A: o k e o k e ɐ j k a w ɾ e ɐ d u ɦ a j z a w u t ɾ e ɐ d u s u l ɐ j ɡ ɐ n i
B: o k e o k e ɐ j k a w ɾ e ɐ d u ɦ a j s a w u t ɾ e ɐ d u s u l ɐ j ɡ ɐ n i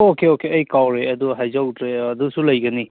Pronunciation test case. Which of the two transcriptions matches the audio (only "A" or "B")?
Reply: A